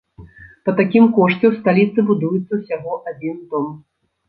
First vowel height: low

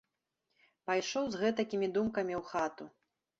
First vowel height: low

